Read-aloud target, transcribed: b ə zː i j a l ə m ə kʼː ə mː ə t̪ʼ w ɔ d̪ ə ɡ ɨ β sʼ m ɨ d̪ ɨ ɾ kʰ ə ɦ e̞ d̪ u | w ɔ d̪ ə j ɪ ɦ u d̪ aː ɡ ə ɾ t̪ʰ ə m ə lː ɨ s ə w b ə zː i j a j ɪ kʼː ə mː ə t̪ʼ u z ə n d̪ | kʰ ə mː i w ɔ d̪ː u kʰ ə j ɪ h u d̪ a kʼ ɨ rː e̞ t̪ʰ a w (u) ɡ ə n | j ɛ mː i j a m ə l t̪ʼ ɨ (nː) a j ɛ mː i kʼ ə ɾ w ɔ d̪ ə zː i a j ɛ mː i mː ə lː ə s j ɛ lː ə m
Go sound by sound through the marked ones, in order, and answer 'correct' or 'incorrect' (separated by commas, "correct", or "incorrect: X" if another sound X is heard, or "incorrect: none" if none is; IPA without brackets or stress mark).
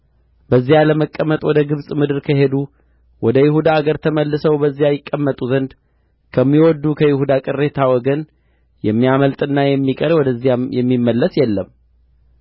incorrect: ɔ, correct